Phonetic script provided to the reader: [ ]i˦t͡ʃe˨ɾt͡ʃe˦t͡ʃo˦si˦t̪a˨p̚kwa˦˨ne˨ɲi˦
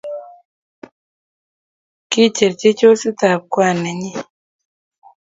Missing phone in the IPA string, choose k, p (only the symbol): k